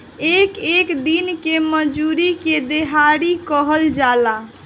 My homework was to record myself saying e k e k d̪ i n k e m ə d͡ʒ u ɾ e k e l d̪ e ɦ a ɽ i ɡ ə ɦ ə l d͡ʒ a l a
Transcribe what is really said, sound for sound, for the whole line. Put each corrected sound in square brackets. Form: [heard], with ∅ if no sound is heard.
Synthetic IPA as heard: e k e k d̪ i n k e m ə d͡ʒ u ɾ [i] k e [∅] d̪ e ɦ a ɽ i [k] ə ɦ ə l d͡ʒ a l a